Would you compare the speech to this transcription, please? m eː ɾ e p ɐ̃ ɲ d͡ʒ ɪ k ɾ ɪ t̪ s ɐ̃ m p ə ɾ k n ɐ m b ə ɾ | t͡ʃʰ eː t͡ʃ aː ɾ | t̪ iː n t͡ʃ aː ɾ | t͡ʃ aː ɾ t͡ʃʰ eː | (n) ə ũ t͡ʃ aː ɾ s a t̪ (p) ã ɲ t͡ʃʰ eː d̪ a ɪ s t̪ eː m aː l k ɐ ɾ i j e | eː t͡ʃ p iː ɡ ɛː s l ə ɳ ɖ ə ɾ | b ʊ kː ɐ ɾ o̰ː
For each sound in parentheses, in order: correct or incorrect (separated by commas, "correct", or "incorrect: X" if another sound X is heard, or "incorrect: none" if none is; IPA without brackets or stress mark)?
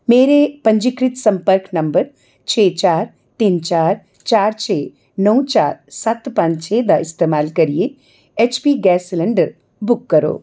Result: correct, correct